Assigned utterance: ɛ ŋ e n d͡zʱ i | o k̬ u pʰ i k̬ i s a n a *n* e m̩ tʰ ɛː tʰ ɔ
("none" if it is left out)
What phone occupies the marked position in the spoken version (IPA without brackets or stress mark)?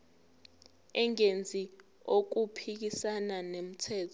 n